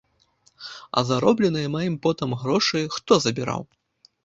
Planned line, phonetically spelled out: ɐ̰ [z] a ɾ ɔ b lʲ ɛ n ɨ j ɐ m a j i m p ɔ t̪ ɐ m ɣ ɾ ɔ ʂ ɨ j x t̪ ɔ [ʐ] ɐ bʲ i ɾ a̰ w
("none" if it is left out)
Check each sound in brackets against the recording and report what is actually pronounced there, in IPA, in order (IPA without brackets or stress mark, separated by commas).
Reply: z, z